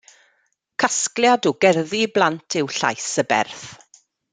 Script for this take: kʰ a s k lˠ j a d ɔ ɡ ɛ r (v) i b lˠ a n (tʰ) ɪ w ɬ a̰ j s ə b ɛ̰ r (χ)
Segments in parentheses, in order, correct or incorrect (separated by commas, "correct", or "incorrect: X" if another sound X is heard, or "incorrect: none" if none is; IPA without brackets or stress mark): incorrect: ð, correct, incorrect: θ